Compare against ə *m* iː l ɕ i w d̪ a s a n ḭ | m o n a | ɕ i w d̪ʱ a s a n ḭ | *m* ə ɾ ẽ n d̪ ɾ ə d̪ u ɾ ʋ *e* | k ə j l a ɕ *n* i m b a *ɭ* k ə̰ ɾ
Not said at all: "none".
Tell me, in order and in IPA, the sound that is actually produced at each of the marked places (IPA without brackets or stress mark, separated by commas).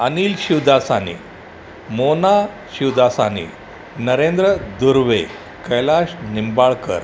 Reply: n, n, e, n, ɭ